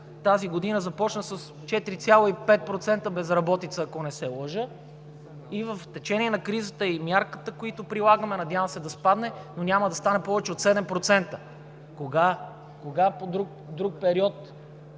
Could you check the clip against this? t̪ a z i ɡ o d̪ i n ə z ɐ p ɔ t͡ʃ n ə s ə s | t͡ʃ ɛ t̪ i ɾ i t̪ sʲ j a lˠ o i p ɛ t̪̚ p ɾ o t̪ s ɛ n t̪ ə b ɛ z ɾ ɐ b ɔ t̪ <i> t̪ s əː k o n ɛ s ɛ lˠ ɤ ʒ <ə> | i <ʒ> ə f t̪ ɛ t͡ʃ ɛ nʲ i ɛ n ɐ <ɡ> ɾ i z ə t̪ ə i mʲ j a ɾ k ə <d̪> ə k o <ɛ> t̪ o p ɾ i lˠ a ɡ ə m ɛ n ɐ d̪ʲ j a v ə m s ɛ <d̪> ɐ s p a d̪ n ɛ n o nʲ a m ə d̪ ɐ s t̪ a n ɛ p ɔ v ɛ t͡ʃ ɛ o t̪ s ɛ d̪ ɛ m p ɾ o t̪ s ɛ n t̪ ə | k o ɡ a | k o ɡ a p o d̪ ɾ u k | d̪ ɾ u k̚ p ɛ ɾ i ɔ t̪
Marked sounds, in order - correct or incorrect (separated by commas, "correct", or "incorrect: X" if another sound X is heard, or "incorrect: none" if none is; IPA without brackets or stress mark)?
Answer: correct, correct, incorrect: v, incorrect: k, incorrect: t̪, incorrect: i, correct